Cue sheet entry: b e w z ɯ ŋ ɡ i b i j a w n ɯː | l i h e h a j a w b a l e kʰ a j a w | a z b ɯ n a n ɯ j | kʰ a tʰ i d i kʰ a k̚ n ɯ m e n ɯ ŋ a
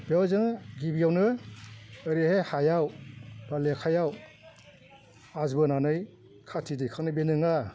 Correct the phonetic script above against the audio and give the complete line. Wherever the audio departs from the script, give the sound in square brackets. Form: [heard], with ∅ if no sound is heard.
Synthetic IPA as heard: b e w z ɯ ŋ ɡ i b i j a w n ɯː | [ɾ] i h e h a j a w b a l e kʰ a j a w | a z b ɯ n a n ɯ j | kʰ a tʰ i d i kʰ a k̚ n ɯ [b] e n ɯ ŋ a